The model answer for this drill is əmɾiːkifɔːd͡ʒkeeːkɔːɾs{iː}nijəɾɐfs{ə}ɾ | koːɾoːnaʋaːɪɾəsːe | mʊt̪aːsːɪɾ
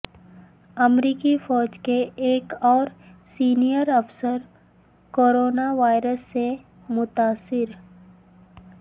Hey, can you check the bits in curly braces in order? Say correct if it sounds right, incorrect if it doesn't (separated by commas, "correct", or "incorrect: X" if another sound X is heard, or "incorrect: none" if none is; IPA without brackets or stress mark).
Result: correct, correct